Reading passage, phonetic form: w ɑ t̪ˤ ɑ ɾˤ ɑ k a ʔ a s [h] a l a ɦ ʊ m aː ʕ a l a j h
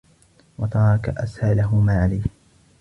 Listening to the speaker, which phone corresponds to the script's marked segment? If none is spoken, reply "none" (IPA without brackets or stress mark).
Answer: h